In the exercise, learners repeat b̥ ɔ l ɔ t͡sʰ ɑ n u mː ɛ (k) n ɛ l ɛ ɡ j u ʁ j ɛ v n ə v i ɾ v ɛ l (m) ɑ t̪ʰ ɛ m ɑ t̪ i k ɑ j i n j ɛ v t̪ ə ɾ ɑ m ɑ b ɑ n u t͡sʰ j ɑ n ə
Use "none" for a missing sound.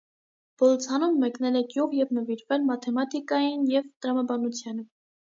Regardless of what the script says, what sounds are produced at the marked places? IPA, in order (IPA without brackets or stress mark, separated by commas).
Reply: k, m